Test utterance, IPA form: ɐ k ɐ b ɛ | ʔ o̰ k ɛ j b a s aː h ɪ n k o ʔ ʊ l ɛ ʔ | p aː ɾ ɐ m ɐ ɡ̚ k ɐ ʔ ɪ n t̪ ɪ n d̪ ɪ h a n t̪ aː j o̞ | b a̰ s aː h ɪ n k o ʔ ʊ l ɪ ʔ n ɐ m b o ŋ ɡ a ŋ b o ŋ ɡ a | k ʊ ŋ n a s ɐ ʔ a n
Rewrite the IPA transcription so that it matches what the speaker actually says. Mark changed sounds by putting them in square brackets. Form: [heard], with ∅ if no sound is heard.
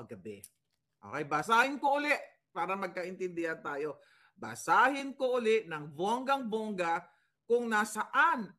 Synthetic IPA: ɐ [ɡ] ɐ b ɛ | ʔ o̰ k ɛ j b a s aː h ɪ n k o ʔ ʊ l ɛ ʔ | p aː ɾ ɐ m ɐ ɡ̚ k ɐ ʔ ɪ n t̪ ɪ n d̪ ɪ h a n t̪ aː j o̞ | b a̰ s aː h ɪ n k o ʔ ʊ l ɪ ʔ n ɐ [ŋ] b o ŋ ɡ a ŋ b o ŋ ɡ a | k ʊ ŋ n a s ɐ ʔ a n